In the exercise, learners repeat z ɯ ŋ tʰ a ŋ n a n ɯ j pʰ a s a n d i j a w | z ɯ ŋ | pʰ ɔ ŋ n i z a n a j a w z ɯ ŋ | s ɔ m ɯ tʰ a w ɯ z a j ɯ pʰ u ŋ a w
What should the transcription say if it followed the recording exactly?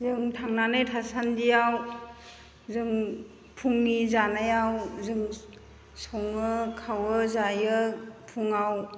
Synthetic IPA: z ɯ ŋ tʰ a ŋ n a n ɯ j tʰ a s a n d i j a w | z ɯ ŋ | pʰ u ŋ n i z a n a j a w z ɯ ŋ | s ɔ ŋ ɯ kʰ a w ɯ z a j ɯ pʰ u ŋ a w